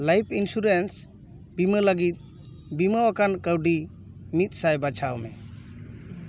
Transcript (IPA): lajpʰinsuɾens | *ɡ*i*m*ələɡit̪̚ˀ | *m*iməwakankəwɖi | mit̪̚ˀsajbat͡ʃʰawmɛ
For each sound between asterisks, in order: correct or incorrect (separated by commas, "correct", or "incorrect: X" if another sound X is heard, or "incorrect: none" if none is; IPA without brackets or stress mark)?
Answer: incorrect: b, correct, incorrect: b